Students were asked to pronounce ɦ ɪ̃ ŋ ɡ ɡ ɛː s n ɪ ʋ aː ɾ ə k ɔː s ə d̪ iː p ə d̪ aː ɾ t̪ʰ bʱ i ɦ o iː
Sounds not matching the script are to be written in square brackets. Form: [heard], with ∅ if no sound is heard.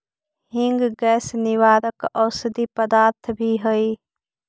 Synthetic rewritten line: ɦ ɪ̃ ŋ ɡ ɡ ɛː s n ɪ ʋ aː ɾ ə k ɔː s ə d̪ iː p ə d̪ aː ɾ t̪ʰ bʱ i ɦ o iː